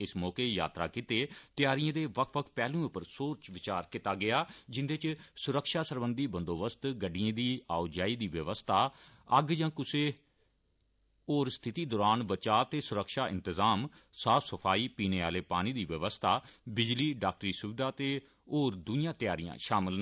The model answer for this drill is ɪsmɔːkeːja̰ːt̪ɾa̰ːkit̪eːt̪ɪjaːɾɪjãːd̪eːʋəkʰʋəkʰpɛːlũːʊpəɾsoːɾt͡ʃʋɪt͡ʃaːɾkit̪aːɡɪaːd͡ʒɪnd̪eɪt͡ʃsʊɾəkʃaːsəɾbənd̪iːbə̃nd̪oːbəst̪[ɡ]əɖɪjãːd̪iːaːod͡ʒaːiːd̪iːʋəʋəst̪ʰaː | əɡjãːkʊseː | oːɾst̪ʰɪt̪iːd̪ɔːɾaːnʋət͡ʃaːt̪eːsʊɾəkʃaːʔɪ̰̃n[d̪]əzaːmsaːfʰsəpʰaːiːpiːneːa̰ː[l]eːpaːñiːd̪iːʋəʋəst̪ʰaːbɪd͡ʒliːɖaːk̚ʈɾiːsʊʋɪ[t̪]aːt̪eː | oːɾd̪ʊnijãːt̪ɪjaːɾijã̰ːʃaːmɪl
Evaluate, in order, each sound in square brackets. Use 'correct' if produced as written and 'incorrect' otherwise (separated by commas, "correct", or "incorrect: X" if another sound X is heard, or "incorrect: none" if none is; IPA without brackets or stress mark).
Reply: correct, incorrect: t̪, correct, incorrect: d̪